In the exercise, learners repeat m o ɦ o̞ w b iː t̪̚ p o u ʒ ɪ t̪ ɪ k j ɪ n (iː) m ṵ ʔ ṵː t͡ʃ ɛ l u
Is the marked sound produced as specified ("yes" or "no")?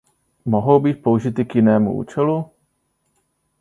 no